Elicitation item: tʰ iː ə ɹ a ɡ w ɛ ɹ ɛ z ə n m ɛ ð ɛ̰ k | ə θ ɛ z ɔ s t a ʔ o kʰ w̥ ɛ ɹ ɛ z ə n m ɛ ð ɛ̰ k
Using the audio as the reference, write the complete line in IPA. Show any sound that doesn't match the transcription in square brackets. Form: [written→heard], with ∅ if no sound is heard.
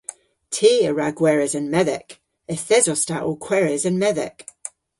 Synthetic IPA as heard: tʰ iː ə ɹ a ɡ w ɛ ɹ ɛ z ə n m ɛ ð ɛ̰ k | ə θ ɛ z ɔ s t a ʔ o kʰ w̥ ɛ ɹ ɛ z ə n m ɛ ð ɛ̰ k